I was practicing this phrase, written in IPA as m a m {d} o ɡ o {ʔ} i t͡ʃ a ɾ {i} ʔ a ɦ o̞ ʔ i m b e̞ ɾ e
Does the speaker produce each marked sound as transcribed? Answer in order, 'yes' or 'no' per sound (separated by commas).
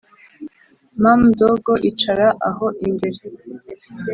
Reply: yes, yes, no